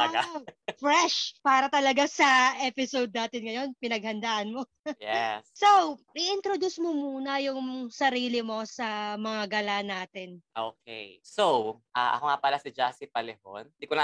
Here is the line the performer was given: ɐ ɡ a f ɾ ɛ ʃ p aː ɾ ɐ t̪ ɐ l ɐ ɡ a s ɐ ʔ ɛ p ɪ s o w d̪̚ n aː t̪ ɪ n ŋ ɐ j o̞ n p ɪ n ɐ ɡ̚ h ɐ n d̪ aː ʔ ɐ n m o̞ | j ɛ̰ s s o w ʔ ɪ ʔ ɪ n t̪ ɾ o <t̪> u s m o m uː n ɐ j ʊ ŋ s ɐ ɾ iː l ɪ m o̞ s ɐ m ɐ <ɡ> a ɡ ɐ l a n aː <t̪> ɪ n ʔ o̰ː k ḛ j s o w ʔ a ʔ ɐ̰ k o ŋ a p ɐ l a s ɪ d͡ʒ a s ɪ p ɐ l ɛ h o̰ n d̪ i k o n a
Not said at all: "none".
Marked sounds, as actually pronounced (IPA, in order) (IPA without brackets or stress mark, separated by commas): d̪, ŋ, t̪